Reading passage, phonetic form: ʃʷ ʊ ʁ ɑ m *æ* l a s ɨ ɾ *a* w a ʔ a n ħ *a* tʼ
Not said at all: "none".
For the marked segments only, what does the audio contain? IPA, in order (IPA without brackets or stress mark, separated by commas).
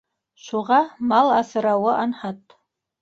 a, a, a